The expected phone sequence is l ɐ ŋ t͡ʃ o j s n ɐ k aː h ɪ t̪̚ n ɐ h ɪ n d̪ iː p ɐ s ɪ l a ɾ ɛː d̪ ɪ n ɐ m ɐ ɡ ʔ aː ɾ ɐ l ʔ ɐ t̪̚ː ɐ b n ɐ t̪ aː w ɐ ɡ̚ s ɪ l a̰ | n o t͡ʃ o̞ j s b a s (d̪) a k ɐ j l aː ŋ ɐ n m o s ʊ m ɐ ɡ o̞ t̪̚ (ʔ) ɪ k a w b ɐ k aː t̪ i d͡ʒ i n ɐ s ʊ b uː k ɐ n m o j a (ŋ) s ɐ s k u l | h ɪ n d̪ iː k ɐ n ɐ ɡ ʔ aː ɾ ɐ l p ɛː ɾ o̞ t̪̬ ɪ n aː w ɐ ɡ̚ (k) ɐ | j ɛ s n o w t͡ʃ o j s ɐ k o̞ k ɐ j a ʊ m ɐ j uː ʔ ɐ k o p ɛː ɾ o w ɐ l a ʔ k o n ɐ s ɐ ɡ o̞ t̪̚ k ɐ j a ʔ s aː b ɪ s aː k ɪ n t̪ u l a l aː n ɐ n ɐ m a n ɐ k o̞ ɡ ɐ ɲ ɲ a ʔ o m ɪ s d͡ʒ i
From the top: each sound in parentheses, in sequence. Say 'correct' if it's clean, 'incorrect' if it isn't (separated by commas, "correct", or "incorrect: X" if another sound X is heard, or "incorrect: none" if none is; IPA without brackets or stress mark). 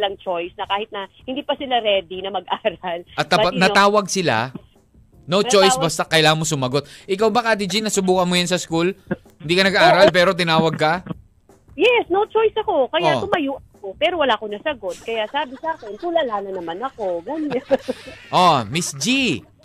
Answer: incorrect: t̪, correct, incorrect: n, correct